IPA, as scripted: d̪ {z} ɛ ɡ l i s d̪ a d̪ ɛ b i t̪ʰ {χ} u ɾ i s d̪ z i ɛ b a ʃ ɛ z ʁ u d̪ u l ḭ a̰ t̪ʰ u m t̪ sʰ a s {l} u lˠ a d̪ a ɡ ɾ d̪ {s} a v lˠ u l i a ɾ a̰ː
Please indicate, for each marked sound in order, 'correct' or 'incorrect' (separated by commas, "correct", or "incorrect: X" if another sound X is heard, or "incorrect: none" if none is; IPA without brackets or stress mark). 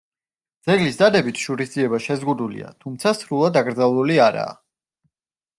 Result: correct, incorrect: ʃ, incorrect: ɾ, incorrect: z